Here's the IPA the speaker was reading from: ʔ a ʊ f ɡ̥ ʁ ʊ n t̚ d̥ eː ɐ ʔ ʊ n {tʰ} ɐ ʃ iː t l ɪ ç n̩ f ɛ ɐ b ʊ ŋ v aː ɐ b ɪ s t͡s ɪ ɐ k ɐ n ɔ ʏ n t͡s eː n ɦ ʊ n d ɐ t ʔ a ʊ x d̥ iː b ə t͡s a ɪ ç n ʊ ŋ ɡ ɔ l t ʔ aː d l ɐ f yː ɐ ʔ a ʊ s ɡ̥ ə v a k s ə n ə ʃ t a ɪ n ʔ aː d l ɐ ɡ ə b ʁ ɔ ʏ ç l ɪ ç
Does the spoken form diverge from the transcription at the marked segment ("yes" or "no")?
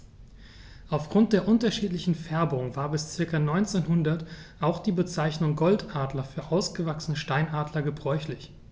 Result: yes